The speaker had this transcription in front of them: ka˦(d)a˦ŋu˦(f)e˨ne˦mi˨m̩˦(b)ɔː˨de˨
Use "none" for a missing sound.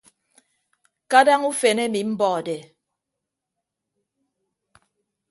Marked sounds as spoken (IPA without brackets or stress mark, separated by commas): d, f, b